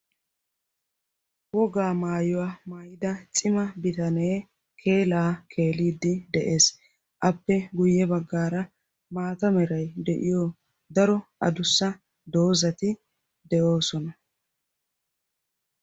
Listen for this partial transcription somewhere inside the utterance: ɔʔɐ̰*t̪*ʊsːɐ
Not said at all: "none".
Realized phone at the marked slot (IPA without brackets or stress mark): d̪